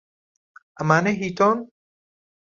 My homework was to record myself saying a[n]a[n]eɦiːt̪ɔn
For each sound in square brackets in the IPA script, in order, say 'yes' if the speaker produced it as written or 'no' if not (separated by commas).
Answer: no, yes